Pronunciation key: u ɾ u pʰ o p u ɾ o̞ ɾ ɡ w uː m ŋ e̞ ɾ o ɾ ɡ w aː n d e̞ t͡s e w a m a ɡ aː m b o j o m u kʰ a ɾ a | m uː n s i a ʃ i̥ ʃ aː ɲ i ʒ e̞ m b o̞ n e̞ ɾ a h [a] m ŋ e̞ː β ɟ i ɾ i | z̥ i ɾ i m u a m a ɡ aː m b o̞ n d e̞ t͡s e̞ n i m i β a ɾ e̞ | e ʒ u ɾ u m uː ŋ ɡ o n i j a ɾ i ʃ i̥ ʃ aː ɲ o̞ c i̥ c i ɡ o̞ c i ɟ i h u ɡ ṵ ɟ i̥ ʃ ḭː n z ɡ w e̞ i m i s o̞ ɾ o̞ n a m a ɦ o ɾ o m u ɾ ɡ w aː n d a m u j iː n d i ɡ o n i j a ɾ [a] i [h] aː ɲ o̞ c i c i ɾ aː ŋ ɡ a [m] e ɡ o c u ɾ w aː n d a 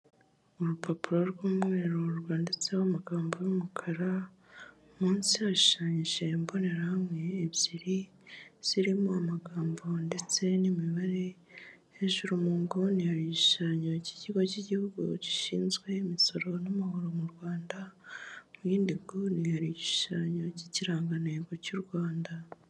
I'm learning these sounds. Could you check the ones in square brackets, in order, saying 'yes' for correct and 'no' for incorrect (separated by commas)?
yes, no, no, no